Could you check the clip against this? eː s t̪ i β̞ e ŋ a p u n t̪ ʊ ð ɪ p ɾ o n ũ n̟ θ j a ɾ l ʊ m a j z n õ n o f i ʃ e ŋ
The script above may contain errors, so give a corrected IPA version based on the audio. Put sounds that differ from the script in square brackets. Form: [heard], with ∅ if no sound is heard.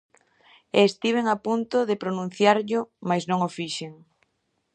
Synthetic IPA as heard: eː s t̪ i β̞ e ŋ a p u n t̪ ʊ ð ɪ p ɾ o n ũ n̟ θ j a ɾ [ʎ] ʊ m a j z n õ [ŋ] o f i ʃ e ŋ